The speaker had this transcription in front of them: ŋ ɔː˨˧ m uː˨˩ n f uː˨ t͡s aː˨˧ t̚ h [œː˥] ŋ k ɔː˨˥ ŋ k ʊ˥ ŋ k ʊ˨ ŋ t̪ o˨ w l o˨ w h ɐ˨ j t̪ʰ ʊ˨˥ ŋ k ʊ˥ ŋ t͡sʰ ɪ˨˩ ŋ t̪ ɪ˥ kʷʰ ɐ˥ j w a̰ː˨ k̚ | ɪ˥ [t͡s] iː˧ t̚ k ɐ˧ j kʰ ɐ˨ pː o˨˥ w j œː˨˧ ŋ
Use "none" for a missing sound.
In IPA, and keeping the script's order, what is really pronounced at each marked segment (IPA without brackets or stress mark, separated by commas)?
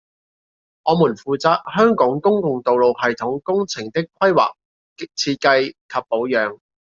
œː˥, t͡sʰ